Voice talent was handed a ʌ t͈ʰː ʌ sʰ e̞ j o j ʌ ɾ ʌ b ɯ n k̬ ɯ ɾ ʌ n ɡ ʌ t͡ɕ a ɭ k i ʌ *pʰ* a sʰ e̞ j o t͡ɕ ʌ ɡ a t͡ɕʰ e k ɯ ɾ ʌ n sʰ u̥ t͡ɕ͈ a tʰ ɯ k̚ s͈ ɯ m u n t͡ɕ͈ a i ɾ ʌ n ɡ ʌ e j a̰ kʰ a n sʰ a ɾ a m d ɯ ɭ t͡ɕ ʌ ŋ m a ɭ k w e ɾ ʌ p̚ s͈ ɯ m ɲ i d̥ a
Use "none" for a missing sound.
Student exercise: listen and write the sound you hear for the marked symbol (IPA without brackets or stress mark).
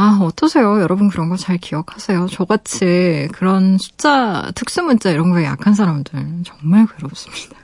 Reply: kʰ